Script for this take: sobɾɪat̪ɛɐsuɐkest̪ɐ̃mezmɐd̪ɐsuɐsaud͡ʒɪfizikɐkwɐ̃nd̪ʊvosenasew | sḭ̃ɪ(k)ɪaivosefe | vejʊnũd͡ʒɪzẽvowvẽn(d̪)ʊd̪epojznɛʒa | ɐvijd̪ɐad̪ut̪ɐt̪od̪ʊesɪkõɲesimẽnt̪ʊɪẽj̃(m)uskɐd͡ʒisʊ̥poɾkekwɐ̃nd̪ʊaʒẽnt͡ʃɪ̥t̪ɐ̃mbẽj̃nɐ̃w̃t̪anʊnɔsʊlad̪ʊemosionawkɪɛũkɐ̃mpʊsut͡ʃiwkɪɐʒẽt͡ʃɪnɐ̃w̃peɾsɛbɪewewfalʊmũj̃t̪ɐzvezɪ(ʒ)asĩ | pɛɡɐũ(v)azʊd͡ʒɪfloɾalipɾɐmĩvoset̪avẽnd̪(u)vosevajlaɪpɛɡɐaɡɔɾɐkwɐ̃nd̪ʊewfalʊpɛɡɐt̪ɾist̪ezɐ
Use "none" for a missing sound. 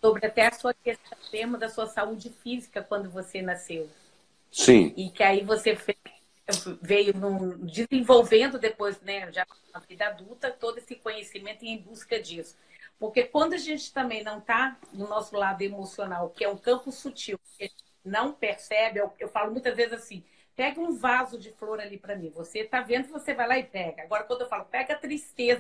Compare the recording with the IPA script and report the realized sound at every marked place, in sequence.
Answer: k, d̪, b, z, v, ʊ

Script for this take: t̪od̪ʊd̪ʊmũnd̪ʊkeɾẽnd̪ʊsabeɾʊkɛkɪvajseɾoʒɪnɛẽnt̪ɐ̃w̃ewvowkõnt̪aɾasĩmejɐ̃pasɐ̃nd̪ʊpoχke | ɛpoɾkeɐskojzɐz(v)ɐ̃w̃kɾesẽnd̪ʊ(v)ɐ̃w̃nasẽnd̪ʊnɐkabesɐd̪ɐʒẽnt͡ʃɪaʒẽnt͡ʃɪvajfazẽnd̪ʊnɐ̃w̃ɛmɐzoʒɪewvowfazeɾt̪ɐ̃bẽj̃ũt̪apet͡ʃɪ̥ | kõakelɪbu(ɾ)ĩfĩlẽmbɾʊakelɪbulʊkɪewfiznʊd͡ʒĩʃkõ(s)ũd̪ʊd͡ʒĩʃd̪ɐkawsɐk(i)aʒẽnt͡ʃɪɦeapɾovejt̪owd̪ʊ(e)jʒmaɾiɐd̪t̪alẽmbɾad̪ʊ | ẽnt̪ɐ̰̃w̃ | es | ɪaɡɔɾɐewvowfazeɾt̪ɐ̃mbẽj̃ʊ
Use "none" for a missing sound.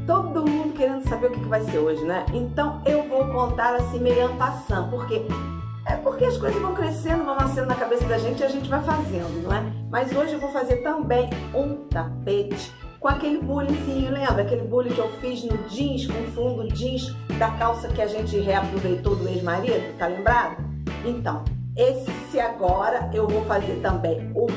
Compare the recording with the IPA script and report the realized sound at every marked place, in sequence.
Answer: v, v, l, f, ɪ, e

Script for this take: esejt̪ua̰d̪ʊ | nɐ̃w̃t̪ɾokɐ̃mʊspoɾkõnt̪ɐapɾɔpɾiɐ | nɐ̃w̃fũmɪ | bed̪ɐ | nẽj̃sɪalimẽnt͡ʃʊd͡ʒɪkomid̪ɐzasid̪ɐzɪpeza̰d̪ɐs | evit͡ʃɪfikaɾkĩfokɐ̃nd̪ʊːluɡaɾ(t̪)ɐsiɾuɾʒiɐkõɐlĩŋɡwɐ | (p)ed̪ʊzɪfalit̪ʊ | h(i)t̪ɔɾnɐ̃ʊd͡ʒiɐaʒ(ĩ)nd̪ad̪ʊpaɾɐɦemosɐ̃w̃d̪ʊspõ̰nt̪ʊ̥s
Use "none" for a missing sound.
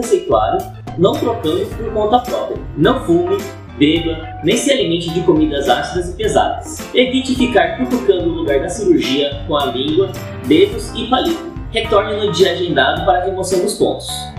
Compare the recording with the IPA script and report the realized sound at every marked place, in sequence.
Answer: d̪, b, e, ẽ

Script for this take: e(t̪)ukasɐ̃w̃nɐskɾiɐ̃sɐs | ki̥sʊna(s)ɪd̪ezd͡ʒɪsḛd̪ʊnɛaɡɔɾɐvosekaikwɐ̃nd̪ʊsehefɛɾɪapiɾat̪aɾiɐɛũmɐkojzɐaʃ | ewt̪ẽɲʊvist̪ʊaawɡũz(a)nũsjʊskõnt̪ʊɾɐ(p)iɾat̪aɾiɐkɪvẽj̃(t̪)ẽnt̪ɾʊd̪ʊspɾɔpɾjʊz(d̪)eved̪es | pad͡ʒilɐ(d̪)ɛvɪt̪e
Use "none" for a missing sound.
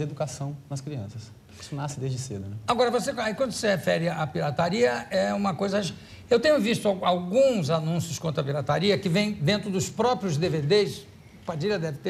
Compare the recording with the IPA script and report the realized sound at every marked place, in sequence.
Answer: d̪, s, a, p, d̪, d̪, d̪

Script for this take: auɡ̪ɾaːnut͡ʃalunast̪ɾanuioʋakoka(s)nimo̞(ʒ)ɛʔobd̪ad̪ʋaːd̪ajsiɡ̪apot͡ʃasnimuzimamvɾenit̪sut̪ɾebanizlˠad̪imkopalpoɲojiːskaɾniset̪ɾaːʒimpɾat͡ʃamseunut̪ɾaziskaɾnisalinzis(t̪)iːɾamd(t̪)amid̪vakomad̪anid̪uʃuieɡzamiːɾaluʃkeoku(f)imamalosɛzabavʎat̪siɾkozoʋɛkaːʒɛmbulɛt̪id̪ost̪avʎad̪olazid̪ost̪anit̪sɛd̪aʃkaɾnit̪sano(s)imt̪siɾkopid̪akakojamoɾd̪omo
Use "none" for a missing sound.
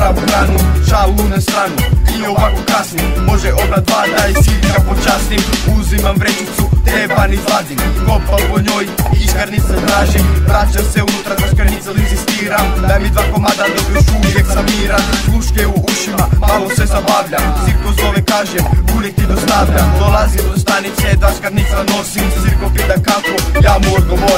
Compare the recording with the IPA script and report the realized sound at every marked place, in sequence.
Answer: s, ʒ, t̪, d̪, ʃ, s

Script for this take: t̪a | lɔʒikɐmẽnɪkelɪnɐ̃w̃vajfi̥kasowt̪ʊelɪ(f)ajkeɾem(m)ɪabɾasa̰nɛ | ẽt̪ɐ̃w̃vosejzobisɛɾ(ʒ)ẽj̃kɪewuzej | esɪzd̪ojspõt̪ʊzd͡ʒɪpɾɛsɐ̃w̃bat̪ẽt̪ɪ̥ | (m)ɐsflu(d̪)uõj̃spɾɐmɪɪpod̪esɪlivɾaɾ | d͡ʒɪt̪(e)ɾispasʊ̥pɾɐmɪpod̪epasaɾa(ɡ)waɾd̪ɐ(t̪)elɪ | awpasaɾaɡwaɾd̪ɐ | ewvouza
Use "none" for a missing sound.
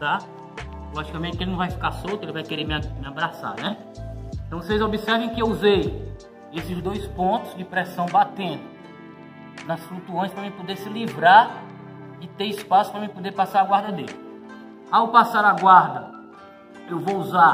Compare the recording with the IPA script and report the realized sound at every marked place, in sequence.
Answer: v, m, v, n, t̪, e, ɡ, d̪

